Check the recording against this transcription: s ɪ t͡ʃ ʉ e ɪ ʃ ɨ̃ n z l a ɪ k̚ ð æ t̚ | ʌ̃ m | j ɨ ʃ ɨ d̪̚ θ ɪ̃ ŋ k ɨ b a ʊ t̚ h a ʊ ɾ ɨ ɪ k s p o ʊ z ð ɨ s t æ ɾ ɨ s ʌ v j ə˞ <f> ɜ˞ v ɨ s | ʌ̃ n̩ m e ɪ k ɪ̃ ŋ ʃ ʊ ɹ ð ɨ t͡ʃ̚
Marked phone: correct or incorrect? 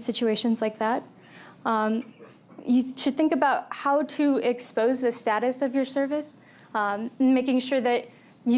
incorrect: s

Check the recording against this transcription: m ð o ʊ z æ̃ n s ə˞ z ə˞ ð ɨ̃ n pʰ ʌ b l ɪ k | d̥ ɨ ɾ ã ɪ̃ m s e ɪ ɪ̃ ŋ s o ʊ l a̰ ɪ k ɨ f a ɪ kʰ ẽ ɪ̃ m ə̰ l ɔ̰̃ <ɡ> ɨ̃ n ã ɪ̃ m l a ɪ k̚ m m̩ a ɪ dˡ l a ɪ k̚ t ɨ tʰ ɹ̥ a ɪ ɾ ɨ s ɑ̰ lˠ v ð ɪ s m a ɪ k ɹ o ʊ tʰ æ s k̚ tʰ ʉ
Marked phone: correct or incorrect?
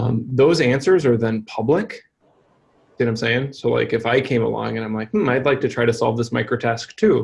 incorrect: ŋ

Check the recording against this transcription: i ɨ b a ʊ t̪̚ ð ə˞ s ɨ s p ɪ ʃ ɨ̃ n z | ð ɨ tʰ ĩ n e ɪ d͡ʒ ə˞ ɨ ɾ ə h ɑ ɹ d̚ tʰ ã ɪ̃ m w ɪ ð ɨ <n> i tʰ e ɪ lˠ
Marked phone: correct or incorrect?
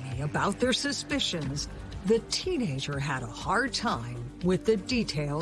incorrect: d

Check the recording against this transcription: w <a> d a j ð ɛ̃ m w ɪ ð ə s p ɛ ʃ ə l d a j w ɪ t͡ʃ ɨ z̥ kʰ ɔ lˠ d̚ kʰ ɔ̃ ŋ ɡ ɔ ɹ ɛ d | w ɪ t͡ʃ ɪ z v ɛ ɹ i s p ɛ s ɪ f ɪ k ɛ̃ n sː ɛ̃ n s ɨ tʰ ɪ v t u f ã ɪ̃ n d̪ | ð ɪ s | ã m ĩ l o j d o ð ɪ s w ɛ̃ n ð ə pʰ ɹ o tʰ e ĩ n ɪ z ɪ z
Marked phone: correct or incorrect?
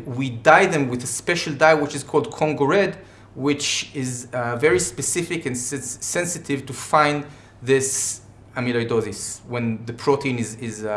incorrect: i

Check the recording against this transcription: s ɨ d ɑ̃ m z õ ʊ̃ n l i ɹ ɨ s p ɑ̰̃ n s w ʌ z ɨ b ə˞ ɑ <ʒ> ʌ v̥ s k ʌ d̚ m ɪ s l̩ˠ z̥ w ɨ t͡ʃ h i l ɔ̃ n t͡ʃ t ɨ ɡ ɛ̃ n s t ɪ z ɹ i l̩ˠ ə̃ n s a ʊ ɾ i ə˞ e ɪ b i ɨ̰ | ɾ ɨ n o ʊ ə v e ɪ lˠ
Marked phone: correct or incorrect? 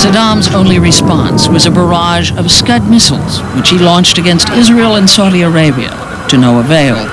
correct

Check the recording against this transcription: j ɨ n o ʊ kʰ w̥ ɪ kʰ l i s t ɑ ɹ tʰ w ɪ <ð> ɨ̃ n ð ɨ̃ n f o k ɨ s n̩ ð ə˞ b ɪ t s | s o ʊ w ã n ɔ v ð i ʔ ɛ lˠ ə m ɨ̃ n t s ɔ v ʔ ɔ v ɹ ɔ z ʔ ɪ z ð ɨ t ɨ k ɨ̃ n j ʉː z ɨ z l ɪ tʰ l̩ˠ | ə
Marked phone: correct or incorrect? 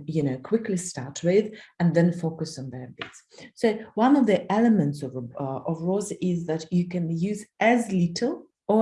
correct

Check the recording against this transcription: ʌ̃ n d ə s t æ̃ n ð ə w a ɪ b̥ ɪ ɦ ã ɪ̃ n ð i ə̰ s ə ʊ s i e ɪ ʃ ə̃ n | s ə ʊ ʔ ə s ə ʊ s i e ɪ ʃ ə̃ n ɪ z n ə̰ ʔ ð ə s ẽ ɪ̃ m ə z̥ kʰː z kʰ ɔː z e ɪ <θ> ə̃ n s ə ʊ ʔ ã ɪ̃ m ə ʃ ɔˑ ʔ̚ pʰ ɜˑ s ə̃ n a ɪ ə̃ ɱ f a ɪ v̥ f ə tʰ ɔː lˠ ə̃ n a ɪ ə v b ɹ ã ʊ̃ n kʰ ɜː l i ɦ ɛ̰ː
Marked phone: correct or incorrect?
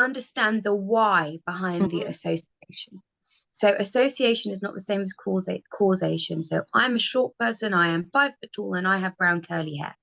incorrect: ʃ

